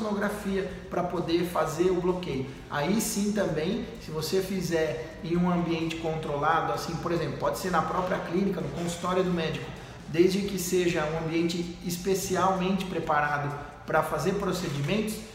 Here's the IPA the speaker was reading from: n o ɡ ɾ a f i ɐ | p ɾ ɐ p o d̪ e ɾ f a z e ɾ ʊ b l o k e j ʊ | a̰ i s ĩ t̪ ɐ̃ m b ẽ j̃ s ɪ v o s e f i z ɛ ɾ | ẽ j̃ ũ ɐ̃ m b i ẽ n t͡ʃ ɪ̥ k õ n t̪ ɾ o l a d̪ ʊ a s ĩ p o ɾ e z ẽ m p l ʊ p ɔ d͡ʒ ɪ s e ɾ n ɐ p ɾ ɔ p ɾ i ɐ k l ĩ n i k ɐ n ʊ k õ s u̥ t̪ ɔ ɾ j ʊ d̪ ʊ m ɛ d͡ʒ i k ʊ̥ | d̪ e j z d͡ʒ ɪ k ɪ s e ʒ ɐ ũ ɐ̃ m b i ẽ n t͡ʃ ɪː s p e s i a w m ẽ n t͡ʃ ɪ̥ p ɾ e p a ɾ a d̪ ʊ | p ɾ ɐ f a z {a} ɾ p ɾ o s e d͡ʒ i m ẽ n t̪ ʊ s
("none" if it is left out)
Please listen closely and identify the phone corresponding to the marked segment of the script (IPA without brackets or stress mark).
e